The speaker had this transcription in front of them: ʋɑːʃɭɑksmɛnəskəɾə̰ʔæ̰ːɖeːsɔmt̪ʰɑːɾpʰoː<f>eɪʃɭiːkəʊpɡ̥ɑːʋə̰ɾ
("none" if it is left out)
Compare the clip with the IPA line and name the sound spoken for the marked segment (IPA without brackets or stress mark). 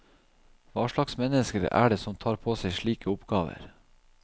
s